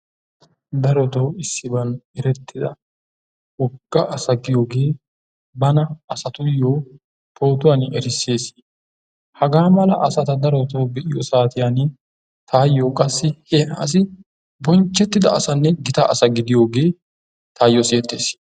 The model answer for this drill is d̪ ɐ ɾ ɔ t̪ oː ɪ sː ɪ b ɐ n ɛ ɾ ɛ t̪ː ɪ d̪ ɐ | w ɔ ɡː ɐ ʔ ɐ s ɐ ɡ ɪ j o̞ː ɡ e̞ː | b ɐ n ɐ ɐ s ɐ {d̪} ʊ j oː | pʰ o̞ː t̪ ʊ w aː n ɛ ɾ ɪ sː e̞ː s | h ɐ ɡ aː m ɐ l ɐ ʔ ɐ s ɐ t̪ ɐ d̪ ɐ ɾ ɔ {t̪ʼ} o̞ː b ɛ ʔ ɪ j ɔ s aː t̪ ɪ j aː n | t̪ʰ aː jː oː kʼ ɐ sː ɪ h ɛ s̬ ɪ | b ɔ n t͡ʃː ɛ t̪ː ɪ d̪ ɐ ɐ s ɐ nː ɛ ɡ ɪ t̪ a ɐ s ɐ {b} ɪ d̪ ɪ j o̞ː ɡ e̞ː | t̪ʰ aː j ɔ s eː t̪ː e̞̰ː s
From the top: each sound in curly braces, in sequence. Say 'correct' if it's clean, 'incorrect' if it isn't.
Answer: incorrect: t̪, incorrect: t̪, incorrect: ɡ

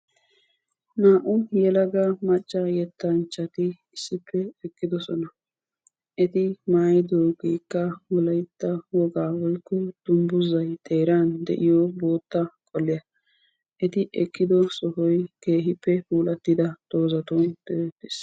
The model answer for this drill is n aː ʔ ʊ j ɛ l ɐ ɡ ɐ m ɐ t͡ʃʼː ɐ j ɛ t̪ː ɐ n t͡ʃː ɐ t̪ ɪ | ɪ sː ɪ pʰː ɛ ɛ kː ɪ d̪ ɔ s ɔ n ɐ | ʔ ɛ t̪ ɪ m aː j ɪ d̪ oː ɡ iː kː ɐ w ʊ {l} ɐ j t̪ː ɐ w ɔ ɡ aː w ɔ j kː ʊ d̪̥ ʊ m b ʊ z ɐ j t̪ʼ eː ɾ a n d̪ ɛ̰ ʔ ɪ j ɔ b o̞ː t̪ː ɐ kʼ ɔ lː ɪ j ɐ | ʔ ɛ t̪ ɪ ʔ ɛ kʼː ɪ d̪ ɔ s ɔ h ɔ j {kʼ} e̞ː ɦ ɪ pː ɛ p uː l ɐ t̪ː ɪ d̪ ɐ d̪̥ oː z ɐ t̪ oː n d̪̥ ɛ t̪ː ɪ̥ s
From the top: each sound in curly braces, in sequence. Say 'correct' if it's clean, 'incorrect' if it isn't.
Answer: correct, incorrect: k

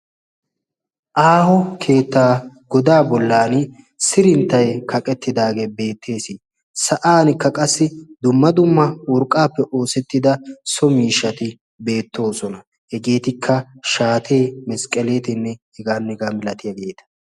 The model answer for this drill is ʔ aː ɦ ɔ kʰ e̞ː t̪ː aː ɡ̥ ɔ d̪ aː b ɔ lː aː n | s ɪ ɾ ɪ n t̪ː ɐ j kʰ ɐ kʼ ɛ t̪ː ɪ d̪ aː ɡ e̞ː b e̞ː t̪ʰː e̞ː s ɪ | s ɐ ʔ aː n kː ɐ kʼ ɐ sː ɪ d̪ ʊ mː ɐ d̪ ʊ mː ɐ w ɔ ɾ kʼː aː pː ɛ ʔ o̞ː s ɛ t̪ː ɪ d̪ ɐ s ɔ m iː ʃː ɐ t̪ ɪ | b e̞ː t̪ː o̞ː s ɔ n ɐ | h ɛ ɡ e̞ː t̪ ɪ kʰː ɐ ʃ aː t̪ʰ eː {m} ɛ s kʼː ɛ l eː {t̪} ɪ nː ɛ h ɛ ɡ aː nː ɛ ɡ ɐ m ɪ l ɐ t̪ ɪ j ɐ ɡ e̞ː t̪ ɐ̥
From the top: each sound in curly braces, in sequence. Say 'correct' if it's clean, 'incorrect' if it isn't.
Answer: correct, correct

